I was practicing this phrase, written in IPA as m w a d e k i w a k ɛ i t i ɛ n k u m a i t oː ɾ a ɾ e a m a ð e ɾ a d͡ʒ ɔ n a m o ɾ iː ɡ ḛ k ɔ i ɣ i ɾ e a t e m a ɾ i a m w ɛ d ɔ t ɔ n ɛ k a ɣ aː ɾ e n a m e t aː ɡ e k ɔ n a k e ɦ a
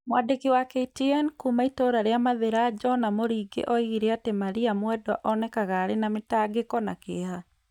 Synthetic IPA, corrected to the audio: m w a d e k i w a k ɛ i t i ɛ n k u m a i t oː ɾ a ɾ e a m a ð e ɾ a d͡ʒ ɔ n a m o ɾ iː ɡ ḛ ʔ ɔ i ɣ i ɾ e a t e m a ɾ i a m w ɛ d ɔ ʔ ɔ n ɛ k a ɣ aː ɾ e n a m e t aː ɡ e k ɔ n a k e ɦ a

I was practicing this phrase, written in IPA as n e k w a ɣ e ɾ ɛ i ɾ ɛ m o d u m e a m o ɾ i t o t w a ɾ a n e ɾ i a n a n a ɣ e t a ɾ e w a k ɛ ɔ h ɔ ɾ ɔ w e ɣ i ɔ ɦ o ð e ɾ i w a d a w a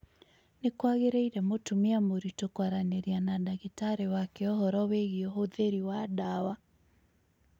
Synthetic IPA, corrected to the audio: n e k w a ɣ e ɾ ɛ i ɾ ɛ m o t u m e a m o ɾ i t o k w a ɾ a n e ɾ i a n a d a ɣ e t a ɾ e w a k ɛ ɔ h ɔ ɾ ɔ w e ɣ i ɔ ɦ o ð e ɾ i w a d a w a

